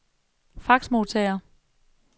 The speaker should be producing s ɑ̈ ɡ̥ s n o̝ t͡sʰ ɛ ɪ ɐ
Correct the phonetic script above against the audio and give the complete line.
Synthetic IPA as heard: f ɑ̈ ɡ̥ s m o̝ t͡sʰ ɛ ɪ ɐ